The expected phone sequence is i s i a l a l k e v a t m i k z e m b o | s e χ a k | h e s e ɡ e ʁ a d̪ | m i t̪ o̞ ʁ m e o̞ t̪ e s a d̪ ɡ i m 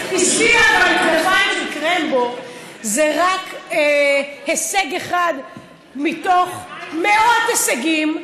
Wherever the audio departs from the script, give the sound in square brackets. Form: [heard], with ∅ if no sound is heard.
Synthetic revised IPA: i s i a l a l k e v a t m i k [ʁ] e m b o | [z] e [ʁ] a k | h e s e ɡ e [χ] a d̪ | m i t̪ o̞ [χ] m e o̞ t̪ e s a [∅] ɡ i m